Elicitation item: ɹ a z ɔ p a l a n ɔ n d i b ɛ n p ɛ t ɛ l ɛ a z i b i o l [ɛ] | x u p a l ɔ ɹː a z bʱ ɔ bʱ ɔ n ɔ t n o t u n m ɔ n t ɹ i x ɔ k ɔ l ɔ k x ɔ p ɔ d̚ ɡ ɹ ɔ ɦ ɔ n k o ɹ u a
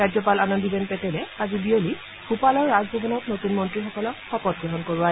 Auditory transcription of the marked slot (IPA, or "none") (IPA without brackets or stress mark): i